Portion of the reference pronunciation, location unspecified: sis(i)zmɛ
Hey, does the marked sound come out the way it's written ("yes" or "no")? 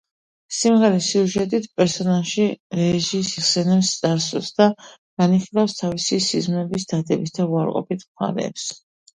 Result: yes